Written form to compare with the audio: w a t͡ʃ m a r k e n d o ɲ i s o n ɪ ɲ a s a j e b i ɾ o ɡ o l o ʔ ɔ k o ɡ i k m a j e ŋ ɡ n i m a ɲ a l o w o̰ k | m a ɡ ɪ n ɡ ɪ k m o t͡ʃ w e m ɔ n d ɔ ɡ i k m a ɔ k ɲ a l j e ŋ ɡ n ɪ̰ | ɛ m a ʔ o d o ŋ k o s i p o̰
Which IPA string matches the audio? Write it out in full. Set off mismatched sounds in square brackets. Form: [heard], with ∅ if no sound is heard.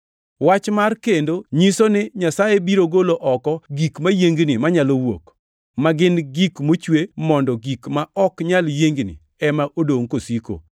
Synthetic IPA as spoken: w a t͡ʃ m a r k e n d o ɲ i s o n ɪ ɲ a s a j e b i ɾ o ɡ o l o ʔ ɔ k [ɔ] ɡ i k m a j e ŋ ɡ n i m a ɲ a l o w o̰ k | m a ɡ ɪ n ɡ [i] k m o t͡ʃ w e m ɔ n d ɔ ɡ i k m a ɔ k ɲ a l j e ŋ ɡ n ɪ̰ | ɛ m a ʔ o d o ŋ k o s i [k] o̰